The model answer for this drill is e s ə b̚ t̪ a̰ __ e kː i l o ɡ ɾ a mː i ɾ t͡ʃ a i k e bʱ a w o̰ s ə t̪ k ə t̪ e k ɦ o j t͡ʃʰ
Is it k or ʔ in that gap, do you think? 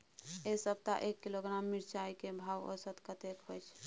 ʔ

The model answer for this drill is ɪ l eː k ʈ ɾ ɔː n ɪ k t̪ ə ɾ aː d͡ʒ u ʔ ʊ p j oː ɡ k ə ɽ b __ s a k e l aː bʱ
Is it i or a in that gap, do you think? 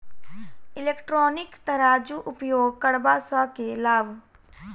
a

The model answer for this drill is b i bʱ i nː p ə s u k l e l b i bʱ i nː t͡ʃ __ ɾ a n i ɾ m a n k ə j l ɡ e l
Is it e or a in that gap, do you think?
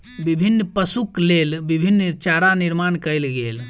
a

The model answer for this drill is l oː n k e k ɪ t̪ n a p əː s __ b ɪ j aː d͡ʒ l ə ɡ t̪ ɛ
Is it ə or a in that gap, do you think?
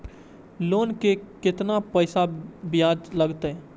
a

